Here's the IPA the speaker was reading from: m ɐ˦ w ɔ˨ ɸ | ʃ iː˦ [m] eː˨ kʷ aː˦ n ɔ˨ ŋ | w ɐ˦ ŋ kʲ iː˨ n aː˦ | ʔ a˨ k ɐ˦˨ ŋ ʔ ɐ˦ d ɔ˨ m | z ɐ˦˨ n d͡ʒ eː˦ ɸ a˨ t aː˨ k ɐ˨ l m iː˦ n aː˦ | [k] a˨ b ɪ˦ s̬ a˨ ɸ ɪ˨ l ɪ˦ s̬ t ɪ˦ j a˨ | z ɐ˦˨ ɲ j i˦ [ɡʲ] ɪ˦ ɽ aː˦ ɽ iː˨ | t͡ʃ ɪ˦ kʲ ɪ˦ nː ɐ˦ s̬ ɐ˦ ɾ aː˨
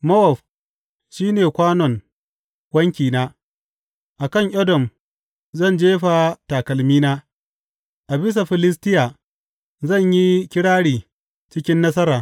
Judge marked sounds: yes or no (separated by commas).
no, no, no